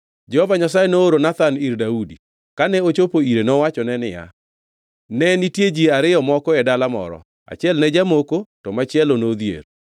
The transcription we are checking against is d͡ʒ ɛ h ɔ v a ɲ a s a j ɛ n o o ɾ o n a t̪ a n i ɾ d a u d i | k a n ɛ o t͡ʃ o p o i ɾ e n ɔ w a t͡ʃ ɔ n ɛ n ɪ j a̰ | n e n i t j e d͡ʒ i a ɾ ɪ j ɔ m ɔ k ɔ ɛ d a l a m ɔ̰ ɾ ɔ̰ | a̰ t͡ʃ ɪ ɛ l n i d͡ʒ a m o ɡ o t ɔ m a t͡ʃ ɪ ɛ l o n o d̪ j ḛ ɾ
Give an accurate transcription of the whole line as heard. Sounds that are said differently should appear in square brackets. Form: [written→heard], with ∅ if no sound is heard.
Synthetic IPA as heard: d͡ʒ ɛ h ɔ v a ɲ a s a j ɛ n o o ɾ o n a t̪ a n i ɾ d a u d i | k a n ɛ o t͡ʃ o p o i ɾ e n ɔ w a t͡ʃ ɔ n ɛ n ɪ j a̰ | n [e→ɛ] n i t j e d͡ʒ i a ɾ ɪ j ɔ m ɔ k ɔ ɛ d a l a m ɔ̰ ɾ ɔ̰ | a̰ t͡ʃ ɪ ɛ l n [i→ɛ] d͡ʒ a m o [ɡ→k] o t ɔ m a t͡ʃ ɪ ɛ l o n o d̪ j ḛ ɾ